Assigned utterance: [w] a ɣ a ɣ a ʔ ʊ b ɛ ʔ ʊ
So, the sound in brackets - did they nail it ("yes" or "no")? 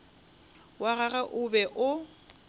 yes